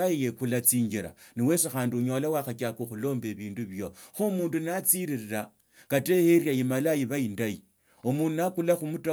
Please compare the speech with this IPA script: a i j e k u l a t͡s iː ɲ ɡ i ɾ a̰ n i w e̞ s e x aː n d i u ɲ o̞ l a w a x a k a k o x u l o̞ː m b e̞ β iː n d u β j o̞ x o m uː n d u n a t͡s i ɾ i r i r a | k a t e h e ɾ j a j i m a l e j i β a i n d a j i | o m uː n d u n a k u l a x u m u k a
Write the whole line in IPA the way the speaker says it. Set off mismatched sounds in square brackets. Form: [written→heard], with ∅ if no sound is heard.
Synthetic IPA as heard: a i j e k u l a t͡s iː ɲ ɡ i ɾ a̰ n i w e̞ s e x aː n d i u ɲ o̞ l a w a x a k a k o x u l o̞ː m b e̞ β iː n d u β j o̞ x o m uː n d u n a t͡s i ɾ i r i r a | k a t e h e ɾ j a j i m a l [e→a] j i β a i n d a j i | o m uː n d u n a k u l a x u m u [k→t] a